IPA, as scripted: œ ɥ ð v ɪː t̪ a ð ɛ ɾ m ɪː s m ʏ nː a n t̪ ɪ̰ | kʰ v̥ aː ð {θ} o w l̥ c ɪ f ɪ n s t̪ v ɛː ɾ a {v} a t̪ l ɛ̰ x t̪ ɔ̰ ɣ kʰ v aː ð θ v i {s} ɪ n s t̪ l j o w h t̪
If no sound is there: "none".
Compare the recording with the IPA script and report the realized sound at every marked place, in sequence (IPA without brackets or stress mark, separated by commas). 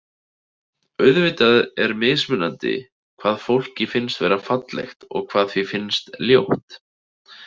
f, f, f